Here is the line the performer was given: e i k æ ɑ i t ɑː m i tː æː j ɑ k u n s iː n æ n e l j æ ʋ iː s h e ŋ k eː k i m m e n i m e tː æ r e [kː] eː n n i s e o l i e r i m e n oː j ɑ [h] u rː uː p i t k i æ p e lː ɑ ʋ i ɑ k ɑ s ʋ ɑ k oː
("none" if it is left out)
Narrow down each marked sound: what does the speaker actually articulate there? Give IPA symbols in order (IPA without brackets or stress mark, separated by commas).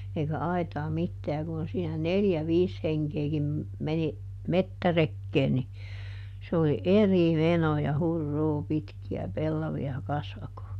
kː, h